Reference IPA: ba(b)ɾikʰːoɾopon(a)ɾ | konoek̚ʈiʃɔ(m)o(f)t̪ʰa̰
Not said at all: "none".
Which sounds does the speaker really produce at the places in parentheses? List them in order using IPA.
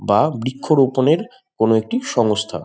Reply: b, e, ŋ, s

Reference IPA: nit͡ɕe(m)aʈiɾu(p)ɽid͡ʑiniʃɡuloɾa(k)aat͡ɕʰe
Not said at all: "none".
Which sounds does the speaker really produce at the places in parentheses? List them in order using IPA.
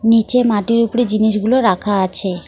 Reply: m, p, kʰ

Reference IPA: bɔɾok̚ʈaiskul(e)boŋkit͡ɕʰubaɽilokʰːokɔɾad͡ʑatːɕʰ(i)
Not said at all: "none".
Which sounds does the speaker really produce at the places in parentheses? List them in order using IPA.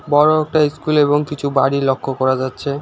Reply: e, e

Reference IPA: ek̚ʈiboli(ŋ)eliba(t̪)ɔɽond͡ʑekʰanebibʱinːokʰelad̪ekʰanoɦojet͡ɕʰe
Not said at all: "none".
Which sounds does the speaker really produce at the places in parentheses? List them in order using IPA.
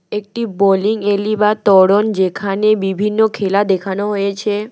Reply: ŋ, t̪

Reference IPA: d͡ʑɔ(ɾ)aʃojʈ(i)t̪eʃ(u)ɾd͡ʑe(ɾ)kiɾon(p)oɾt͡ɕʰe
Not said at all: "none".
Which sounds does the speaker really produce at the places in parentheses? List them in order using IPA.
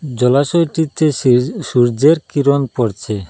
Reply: l, i, u, ɾ, p

